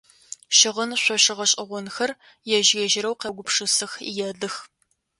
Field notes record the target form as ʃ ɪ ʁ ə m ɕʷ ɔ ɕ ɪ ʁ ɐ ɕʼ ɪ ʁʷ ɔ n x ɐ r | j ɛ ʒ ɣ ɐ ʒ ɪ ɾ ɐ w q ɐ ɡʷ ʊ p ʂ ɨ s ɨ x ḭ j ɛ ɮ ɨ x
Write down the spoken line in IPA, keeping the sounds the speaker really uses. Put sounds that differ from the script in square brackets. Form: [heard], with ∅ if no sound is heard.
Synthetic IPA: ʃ ɪ ʁ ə [n] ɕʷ ɔ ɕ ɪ ʁ ɐ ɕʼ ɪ ʁʷ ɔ n x ɐ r | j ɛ ʒ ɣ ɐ ʒ ɪ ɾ ɐ w q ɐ ɡʷ ʊ p ʂ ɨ s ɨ x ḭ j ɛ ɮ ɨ x